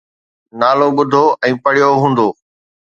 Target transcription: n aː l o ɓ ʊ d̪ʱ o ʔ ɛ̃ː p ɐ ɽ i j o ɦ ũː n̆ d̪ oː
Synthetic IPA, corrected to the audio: n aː l o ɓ ʊ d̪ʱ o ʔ ɛ̃ː p ɐ ɽ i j o ɦ ũː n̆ d̪ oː